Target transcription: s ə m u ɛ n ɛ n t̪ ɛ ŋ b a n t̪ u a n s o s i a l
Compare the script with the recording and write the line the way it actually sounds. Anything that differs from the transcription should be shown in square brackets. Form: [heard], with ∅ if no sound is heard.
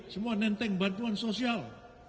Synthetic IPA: s ə m u [a] n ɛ n t̪ ɛ ŋ b a n t̪ u a n s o s i a l

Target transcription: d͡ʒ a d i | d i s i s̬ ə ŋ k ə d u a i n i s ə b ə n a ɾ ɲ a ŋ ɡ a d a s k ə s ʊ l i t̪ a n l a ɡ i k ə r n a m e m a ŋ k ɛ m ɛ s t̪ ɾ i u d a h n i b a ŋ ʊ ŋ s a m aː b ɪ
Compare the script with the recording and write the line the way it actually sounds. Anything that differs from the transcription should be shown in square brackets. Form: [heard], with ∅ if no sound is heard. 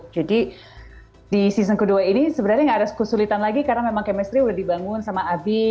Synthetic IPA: d͡ʒ a d i | d i s i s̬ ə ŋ k ə d u a i n i s ə b ə n a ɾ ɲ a ŋ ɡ a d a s k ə s [u] l i t̪ a n l a ɡ i k [a] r n a m e m a ŋ k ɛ m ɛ s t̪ ɾ i u d a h [d] i b a ŋ ʊ [n] s a m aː b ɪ

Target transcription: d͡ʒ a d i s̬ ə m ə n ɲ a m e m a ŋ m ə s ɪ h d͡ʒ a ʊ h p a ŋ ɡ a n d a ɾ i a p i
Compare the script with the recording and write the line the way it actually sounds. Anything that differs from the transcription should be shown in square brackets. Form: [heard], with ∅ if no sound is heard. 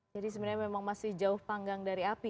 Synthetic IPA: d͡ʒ a d i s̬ ə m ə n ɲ a m e m a ŋ m [a] s ɪ h d͡ʒ a ʊ h p a ŋ ɡ a [ŋ] d a ɾ i a p i

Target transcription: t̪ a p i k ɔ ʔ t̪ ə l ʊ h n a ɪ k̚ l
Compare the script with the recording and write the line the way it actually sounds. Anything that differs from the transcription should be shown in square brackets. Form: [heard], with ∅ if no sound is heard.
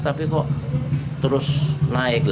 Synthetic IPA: t̪ a p i k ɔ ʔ t̪ ə [ɾ] ʊ [s] n a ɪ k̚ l

